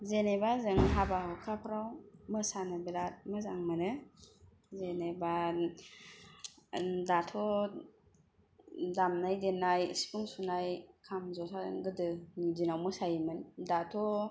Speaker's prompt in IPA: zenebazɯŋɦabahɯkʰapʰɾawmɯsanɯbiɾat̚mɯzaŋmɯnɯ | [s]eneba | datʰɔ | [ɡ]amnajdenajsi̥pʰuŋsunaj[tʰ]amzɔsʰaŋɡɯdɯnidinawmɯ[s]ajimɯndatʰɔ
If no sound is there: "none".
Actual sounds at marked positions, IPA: z, d, kʰ, s

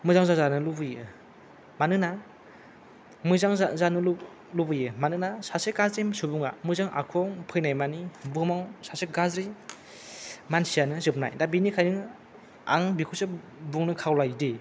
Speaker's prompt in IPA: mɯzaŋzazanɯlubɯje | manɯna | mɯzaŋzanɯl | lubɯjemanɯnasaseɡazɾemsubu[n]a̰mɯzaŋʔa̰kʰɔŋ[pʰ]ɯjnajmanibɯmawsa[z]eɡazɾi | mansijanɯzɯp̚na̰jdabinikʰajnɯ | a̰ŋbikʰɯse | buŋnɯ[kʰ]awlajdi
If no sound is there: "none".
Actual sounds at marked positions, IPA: ŋ, pʰ, s, kʰ

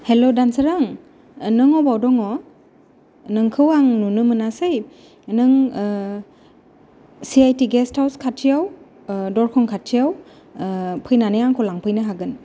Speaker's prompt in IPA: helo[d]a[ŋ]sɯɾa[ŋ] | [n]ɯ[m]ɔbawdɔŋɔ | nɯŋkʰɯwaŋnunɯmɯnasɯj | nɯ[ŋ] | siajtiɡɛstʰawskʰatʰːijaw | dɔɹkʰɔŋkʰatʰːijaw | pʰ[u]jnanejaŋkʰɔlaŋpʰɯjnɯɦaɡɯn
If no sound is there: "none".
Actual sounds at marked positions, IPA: d, n, ŋ, n, ŋ, ŋ, ɯ

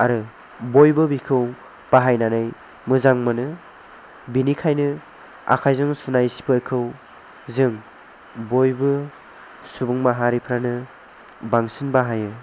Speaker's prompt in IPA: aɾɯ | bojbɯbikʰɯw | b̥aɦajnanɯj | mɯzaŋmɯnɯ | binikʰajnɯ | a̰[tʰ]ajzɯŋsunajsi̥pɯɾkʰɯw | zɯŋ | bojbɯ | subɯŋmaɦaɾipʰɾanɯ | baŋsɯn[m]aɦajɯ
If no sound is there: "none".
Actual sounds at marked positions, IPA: kʰ, b

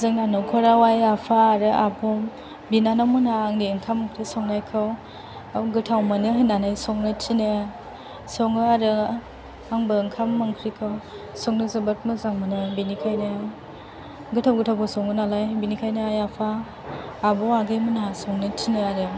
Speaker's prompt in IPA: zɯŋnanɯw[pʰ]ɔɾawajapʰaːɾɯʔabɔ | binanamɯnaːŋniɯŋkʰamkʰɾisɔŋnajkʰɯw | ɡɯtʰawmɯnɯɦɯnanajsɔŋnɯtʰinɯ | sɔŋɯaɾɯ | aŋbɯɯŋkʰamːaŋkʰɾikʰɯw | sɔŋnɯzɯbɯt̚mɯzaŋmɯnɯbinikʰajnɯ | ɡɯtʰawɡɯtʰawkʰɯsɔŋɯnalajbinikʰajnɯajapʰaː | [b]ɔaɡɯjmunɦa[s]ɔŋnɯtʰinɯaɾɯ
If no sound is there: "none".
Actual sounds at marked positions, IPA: kʰ, b, s

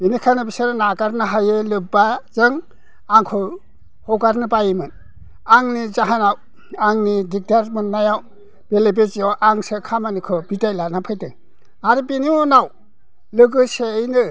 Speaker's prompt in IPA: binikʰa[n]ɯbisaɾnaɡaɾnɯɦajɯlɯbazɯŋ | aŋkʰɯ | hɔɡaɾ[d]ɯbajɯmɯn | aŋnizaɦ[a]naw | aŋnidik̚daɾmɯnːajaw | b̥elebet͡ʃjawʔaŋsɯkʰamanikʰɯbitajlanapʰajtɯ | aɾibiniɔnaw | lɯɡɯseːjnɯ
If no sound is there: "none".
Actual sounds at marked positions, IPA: n, n, a

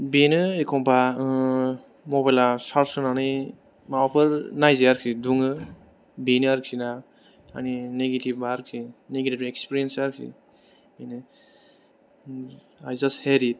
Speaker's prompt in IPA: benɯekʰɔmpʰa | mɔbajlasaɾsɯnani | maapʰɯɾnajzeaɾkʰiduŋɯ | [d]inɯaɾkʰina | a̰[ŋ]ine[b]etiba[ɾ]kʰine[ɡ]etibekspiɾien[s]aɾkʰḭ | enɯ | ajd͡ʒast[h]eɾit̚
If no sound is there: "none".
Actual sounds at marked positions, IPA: b, n, ɡ, ɾ, ɡ, s, h

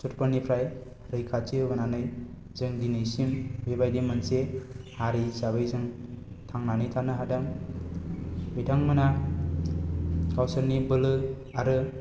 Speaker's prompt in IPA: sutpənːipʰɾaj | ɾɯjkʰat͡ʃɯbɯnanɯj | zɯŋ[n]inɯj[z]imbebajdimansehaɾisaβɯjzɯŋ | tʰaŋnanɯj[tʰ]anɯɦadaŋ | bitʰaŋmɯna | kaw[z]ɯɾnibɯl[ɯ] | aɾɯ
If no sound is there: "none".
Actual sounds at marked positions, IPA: d, s, tʰ, s, ɯ

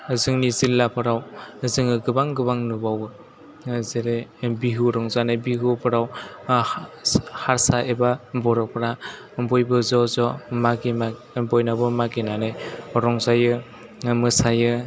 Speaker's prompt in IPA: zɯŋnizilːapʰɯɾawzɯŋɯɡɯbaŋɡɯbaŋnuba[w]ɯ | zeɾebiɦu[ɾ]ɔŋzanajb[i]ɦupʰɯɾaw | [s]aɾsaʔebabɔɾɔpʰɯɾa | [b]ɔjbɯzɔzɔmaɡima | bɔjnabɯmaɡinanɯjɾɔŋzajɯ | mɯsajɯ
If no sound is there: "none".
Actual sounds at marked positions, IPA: w, ɾ, i, h, b

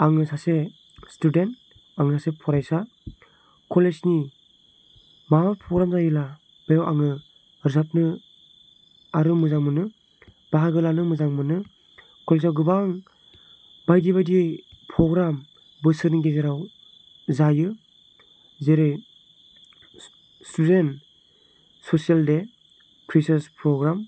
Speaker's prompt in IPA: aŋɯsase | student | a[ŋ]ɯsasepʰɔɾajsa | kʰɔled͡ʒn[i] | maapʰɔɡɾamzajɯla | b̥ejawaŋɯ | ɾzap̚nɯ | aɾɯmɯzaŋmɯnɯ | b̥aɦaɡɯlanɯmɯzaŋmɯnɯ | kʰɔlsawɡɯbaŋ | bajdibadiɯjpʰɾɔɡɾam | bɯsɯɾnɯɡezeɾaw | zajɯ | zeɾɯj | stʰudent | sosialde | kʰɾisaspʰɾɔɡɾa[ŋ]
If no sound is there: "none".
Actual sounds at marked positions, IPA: ŋ, i, m

